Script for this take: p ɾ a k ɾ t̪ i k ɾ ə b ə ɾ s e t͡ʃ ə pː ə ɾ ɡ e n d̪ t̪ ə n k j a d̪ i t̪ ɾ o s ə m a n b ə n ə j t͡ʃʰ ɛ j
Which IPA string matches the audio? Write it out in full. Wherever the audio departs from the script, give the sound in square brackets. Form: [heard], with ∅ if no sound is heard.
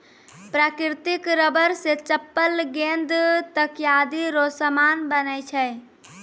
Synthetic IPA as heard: p ɾ a k ɾ t̪ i k ɾ ə b ə ɾ s e t͡ʃ ə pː ə [l] ɡ e n d̪ t̪ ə [∅] k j a d̪ i [∅] ɾ o s ə m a n b ə n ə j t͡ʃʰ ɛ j